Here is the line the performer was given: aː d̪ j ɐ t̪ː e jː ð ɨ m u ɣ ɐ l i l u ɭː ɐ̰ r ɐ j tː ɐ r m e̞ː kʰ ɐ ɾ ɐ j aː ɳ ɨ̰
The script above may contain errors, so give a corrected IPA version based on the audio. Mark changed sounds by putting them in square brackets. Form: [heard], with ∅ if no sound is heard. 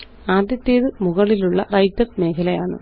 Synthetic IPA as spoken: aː d̪ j ɐ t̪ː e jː ð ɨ m u ɣ ɐ [ɭ] i l u ɭː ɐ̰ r ɐ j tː ɐ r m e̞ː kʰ ɐ [l] ɐ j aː ɳ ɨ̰